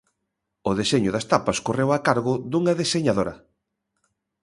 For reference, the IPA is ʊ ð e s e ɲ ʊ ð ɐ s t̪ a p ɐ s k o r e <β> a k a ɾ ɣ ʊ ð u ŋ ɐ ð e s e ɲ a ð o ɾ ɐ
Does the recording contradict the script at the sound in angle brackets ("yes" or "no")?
yes